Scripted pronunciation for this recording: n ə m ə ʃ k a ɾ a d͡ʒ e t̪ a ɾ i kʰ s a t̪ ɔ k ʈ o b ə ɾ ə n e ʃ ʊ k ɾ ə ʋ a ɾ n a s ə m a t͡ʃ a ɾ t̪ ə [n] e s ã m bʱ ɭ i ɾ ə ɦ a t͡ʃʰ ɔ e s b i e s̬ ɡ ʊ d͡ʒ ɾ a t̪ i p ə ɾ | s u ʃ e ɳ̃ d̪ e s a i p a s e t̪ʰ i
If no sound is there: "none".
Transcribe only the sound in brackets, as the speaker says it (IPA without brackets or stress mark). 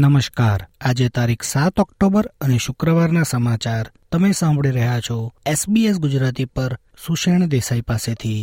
m